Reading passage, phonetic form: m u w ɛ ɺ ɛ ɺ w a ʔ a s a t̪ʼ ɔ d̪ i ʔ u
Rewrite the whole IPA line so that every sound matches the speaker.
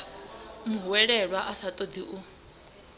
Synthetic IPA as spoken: m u w ɛ ɺ ɛ ɺ w a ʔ a s a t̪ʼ ɔ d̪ i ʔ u